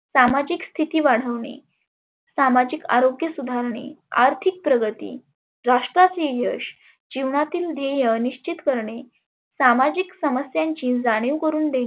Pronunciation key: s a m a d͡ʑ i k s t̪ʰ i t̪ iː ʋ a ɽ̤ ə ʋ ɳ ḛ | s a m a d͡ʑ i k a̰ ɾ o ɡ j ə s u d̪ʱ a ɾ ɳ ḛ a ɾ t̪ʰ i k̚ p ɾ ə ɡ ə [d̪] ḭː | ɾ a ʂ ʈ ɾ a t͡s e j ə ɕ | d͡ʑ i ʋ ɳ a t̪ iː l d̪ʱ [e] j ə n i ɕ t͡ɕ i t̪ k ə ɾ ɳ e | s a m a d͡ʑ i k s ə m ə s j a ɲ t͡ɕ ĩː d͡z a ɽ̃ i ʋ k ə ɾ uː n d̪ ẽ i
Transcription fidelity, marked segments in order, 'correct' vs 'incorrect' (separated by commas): incorrect, correct